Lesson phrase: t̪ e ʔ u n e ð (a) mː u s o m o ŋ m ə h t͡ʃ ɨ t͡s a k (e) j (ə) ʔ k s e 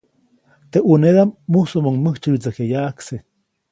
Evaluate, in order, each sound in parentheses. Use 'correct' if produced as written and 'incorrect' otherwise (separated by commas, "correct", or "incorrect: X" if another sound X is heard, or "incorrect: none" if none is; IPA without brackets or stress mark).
correct, correct, incorrect: a